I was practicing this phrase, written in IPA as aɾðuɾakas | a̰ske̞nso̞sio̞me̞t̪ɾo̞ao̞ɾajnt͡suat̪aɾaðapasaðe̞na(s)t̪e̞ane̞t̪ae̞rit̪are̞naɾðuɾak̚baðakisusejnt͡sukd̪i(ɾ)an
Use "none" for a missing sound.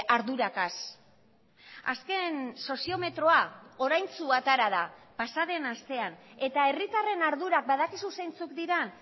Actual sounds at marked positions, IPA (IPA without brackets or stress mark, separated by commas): s, ɾ